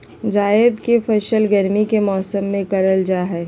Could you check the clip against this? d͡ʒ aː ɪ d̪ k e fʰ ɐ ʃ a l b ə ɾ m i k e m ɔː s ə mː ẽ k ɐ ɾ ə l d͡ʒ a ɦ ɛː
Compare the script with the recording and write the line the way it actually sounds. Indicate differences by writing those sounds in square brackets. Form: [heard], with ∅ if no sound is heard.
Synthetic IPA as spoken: d͡ʒ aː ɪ d̪ k e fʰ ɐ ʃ [ə] l [ɡ] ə ɾ m i k e m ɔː s ə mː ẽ k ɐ ɾ ə l d͡ʒ a ɦ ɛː